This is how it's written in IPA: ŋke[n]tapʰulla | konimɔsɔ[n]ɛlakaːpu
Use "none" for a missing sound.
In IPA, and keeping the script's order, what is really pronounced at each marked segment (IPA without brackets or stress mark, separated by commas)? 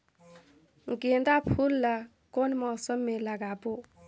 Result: n, m